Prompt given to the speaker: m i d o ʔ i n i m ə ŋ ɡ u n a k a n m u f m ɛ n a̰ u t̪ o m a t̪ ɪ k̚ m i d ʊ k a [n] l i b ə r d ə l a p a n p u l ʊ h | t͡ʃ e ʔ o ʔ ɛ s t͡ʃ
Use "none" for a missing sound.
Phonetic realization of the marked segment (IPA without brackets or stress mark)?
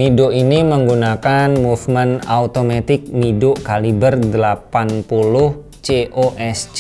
none